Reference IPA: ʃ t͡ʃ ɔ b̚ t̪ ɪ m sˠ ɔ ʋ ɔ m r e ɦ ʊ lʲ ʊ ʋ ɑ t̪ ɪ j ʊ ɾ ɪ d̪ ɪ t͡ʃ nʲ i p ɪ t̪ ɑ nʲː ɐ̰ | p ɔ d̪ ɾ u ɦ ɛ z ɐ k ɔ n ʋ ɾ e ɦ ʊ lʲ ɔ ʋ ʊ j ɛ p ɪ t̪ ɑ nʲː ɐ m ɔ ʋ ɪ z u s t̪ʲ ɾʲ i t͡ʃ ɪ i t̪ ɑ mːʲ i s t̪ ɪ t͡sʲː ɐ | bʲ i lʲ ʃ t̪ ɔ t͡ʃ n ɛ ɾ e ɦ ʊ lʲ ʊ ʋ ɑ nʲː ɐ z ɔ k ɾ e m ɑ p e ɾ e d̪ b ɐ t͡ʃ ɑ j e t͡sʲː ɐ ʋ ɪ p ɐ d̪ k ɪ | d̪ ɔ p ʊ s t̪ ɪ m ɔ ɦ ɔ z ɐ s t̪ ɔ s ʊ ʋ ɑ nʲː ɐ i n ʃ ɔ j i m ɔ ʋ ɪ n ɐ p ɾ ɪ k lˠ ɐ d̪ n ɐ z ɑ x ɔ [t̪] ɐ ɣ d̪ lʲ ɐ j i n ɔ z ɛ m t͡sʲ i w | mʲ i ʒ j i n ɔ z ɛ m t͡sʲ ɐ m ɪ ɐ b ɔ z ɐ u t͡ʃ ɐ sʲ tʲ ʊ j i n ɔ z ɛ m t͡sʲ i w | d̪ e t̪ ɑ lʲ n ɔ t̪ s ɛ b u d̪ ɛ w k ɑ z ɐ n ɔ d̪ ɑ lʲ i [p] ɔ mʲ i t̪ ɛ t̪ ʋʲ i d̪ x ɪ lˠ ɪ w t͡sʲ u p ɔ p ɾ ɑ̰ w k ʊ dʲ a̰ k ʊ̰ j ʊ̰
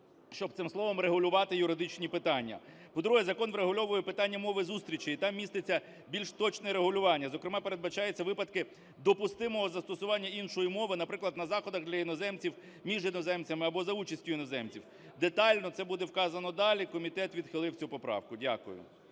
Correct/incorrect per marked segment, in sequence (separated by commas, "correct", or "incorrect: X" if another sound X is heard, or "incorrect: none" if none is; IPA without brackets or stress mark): incorrect: d̪, incorrect: k